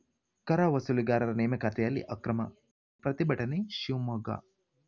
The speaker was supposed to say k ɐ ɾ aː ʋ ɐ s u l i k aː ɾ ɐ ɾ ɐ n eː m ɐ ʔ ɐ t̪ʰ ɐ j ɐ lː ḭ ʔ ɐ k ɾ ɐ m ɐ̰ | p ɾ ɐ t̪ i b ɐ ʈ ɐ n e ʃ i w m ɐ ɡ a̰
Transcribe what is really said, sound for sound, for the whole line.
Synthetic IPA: k ɐ ɾ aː ʋ ɐ s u l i ɡ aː ɾ ɐ ɾ ɐ n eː m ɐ k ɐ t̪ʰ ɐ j ɐ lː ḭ ʔ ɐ k ɾ ɐ m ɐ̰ | p ɾ ɐ t̪ i b ɐ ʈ ɐ n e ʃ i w m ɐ ɡ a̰